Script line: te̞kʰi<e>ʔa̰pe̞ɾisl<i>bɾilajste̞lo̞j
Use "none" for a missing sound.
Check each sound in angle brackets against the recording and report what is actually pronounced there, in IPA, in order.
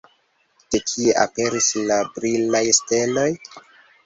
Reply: e, a

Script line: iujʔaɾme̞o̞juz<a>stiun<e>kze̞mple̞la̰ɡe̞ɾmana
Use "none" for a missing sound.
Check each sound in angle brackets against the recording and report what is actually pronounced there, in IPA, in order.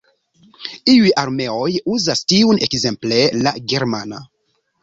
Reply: a, e

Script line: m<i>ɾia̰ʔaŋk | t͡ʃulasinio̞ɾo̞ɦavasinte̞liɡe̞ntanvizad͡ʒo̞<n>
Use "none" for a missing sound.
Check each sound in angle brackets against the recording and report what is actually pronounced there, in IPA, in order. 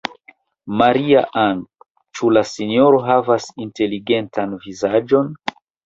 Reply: a, n

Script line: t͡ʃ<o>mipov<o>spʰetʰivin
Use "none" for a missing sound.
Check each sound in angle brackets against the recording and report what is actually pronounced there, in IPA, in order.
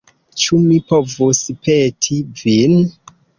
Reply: u, u

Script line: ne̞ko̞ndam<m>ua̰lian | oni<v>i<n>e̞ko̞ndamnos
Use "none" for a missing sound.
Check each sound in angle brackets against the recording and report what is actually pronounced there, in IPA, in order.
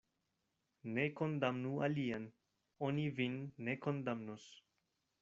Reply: n, v, nː

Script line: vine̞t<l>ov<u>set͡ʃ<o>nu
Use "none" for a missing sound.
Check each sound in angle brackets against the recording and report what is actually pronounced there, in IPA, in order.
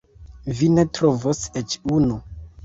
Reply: ɾ, o, u

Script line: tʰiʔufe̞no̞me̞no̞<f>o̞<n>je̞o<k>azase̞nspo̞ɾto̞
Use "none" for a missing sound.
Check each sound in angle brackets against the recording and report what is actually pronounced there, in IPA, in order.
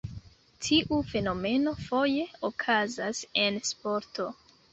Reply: f, none, kʰ

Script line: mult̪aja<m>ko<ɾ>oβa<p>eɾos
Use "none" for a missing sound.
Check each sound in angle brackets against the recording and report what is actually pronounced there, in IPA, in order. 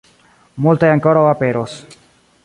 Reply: ŋ, ɾ, p

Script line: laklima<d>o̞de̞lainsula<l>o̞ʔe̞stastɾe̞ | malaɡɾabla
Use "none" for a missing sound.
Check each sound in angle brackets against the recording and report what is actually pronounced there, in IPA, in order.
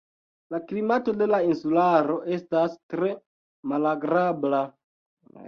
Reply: t, ɾ

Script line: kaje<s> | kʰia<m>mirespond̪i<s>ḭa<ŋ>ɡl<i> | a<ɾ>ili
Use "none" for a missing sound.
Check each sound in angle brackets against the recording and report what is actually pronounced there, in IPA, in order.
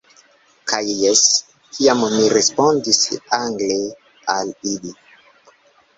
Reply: s, m, s, ŋ, e, l

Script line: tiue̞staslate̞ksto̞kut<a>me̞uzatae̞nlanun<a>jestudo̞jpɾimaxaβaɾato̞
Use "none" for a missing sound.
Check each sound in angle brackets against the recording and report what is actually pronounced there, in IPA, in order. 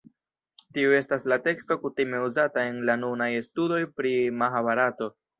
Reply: i, a

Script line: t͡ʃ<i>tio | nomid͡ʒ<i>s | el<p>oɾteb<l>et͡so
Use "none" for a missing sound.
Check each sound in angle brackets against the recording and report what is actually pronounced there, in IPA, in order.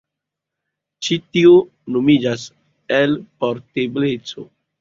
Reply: i, a, p, l

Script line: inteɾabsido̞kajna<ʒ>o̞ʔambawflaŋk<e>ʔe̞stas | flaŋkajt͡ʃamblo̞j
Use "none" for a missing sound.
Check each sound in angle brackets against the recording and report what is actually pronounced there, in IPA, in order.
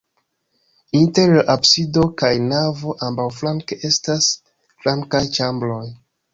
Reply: v, e

